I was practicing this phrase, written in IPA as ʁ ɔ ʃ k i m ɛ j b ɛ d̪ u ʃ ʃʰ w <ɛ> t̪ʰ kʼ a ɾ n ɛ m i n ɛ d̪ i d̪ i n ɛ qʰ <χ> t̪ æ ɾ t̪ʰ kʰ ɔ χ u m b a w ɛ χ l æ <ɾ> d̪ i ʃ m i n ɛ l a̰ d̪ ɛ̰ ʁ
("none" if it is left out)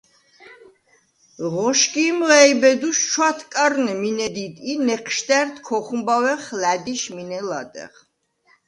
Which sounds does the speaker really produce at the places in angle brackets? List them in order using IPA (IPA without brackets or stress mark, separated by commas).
a, ʃ, none